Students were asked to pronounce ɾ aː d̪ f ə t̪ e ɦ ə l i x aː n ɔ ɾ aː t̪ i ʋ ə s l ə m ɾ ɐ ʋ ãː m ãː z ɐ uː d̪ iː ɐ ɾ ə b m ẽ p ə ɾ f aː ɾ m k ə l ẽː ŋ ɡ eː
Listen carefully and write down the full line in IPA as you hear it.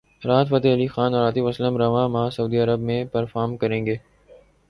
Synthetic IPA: ɾ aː t̪ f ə t̪ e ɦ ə l i x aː n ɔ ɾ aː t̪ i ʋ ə s l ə m ɾ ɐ ʋ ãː m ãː s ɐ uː d̪ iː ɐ ɾ ə b m ẽ p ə ɾ f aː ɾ m k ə ɾ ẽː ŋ ɡ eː